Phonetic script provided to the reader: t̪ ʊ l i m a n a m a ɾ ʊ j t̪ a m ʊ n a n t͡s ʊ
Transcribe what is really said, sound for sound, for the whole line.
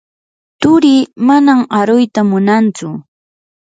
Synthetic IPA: t̪ ʊ ɾ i m a n a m a ɾ ʊ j t̪ a m ʊ n a n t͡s ʊ